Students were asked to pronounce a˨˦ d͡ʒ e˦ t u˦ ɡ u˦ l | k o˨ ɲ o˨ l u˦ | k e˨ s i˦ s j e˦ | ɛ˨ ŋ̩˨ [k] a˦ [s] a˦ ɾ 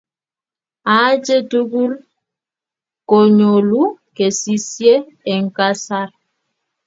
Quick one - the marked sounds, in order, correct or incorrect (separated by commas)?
correct, correct